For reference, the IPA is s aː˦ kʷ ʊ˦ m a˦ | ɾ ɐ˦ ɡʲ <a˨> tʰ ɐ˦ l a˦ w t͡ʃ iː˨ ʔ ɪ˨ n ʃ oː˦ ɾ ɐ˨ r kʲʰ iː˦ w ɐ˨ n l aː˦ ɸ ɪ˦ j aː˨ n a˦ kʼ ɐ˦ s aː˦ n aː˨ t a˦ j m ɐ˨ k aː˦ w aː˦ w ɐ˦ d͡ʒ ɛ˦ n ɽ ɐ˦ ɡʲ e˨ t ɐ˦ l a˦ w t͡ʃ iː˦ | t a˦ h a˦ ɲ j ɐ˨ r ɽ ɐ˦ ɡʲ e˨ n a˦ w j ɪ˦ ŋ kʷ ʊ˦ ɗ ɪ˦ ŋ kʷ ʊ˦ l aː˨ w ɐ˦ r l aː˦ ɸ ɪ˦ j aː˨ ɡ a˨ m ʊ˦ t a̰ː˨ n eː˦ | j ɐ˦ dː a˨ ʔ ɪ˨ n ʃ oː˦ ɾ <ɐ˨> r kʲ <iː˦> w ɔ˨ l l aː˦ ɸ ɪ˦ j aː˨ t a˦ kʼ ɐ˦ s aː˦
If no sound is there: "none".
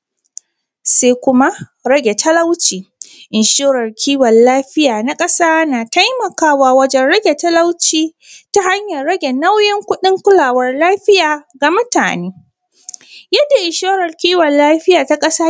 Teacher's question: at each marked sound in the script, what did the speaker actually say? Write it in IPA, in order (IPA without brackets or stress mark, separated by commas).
e˨, ɐ˨, iː˦